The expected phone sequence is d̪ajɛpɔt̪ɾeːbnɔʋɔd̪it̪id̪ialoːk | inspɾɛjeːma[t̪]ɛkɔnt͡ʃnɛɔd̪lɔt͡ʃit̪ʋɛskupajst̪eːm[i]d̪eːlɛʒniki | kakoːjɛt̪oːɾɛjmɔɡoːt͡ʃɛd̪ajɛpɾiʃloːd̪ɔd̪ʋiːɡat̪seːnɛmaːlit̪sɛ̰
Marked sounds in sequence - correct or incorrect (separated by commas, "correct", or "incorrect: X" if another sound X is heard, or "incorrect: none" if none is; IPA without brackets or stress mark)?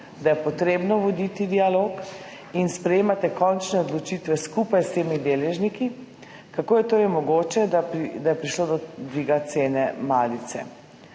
correct, correct